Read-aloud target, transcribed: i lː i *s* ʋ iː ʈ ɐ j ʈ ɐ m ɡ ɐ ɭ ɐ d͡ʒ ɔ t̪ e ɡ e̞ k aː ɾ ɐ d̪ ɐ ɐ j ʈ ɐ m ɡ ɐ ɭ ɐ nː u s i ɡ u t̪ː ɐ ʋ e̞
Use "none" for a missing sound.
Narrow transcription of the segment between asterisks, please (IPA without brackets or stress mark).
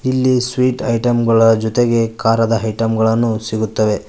s